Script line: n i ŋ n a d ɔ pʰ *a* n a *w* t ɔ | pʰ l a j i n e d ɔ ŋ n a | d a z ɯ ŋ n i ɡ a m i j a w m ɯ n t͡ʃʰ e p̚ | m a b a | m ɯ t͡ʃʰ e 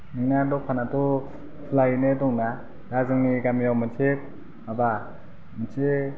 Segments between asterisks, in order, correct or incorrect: correct, incorrect: none

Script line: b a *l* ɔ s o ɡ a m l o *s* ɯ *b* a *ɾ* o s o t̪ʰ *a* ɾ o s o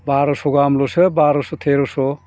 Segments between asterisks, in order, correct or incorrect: incorrect: ɾ, correct, correct, correct, incorrect: e

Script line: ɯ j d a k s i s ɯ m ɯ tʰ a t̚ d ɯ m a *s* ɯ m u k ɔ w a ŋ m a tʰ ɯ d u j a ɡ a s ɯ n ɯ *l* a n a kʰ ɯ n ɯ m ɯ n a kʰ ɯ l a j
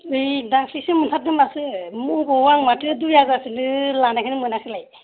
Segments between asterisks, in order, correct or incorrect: correct, correct

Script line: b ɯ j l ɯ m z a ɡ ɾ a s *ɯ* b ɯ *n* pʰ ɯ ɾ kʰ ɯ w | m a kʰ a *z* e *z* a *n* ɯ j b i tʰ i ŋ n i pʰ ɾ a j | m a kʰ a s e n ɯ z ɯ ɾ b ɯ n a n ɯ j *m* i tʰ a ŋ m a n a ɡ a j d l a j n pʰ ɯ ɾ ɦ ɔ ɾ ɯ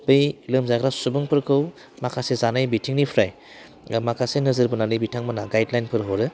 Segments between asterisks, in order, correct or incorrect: incorrect: u, incorrect: ŋ, incorrect: s, correct, correct, incorrect: b

